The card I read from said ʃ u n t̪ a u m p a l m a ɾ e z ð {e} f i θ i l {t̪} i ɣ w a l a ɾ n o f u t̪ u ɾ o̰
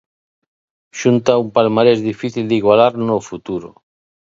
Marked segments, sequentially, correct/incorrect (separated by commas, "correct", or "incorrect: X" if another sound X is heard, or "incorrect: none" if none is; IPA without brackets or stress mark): incorrect: i, incorrect: d̪